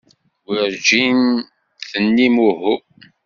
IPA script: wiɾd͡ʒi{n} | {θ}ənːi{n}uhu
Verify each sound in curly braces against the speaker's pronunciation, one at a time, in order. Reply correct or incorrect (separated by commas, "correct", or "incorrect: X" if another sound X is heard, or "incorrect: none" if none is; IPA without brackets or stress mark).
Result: correct, correct, incorrect: m